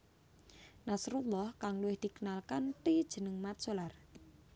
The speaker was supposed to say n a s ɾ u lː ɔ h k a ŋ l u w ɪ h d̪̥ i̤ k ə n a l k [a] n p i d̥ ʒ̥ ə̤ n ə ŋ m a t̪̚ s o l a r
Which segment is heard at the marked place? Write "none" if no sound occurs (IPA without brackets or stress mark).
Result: a